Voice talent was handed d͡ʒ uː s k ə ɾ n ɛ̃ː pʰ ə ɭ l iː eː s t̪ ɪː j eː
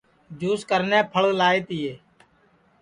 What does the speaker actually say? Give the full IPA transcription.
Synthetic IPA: d͡ʒ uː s k ə ɾ n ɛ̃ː pʰ ə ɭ l aː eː t̪ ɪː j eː

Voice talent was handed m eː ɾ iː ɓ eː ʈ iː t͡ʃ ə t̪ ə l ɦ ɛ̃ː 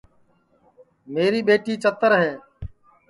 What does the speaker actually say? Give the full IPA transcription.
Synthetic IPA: m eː ɾ iː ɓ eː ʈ iː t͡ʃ ə t̪ ə ɾ ɦ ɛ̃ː

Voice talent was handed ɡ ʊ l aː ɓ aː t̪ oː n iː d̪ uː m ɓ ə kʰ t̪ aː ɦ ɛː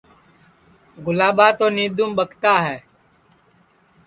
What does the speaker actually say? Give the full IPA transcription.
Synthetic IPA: ɡ ʊ l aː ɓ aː t̪ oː n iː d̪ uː m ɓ ə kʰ t̪ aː ɦ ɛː

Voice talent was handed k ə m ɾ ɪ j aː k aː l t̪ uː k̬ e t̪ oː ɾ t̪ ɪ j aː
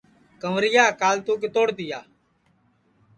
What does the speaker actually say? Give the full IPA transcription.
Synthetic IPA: k ə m ɾ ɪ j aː k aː l t̪ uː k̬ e t̪ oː ɽ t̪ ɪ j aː

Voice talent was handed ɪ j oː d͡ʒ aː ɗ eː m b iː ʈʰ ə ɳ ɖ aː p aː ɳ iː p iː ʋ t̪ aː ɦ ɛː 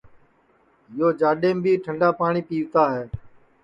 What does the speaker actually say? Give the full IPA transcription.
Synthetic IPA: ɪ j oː d͡ʒ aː ɗ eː m b iː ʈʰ ə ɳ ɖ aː p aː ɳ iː p iː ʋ t̪ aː ɦ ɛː

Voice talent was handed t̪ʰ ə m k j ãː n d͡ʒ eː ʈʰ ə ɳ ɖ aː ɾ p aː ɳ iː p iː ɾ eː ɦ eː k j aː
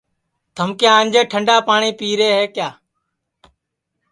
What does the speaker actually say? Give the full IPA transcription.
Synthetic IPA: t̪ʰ ə m k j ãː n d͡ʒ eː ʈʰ ə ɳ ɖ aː p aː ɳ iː p iː ɾ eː ɦ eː k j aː

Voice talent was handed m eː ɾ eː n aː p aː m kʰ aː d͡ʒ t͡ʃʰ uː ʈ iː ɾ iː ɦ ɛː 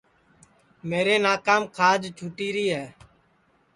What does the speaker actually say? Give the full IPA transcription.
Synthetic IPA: m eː ɾ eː n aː k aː m kʰ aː d͡ʒ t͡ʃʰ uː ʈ iː ɾ iː ɦ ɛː

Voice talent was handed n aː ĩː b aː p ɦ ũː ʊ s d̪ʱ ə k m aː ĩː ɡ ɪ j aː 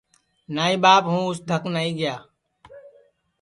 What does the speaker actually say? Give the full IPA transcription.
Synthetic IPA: n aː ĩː b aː p ɦ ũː ʊ s d̪ʱ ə k n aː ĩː ɡ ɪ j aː

